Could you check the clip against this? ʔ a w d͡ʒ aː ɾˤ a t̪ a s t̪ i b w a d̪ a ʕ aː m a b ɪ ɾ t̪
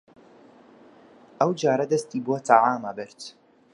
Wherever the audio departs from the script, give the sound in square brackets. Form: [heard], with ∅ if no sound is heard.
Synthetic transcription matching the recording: ʔ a w d͡ʒ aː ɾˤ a [d̪] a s t̪ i b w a [t̪] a ʕ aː m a b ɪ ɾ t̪